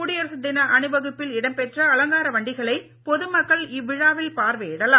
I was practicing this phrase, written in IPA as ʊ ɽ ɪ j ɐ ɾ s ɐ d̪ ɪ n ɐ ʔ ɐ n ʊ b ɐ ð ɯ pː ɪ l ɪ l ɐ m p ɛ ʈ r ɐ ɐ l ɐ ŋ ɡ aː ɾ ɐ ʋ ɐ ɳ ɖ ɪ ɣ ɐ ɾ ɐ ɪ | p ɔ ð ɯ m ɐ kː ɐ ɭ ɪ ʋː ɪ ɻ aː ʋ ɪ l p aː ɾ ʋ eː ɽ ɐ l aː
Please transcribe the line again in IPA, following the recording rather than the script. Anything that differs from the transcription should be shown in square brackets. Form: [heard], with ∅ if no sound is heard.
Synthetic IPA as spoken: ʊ ɽ ɪ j ɐ ɾ s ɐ d̪ ɪ n ɐ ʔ ɐ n [ɯ] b ɐ [ɣ] ɯ pː ɪ l ɪ [ɽ] ɐ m p ɛ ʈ r ɐ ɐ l ɐ ŋ ɡ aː ɾ ɐ ʋ ɐ ɳ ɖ ɪ ɣ ɐ [ɭ] ɐ ɪ | p ɔ ð ɯ m ɐ kː ɐ ɭ ɪ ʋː ɪ ɻ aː ʋ ɪ l p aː ɾ ʋ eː ɽ ɐ l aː